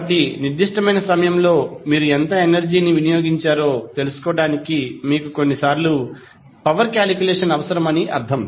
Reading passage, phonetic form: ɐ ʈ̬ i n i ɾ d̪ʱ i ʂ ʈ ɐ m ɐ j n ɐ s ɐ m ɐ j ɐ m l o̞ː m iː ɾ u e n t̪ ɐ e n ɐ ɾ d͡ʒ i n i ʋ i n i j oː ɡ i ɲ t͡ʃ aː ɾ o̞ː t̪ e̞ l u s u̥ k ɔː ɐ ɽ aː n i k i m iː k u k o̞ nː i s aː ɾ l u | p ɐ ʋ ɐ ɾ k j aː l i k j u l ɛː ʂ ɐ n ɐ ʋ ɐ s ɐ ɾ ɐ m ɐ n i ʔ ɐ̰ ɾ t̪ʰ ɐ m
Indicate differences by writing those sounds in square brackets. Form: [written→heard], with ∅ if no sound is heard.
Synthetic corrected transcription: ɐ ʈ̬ i n i ɾ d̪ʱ i ʂ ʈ ɐ m ɐ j n ɐ s ɐ m ɐ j ɐ m l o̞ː m iː ɾ u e n t̪ ɐ e n ɐ ɾ d͡ʒ [i→iː] n i ʋ i n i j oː ɡ i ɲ t͡ʃ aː ɾ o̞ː t̪ e̞ l u s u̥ k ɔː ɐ ɽ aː n i k i m iː k u k o̞ nː i s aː ɾ l u | p ɐ ʋ ɐ ɾ k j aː l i k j u l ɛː ʂ ɐ n ɐ ʋ ɐ s ɐ ɾ ɐ m ɐ n i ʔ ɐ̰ ɾ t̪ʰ ɐ m